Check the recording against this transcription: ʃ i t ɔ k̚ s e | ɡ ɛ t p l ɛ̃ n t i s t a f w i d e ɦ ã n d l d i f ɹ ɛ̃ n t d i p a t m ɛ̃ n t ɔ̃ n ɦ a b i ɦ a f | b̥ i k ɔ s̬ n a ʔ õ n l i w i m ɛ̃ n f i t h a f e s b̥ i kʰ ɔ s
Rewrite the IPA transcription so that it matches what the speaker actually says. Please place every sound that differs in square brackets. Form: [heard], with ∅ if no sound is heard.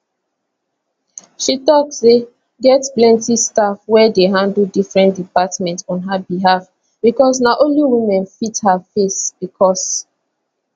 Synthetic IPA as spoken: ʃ i t ɔ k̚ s e | ɡ ɛ t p l ɛ̃ n t i s t a f w [ɛ] d e ɦ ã n d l d i f ɹ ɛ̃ n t d i p a t m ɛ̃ n t ɔ̃ n ɦ a b i ɦ a f | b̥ i k ɔ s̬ n a ʔ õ n l i w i m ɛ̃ n f i t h a f e s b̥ i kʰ ɔ s